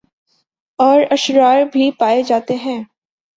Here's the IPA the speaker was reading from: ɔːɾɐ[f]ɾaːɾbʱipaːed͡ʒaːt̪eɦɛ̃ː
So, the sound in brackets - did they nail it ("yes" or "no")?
no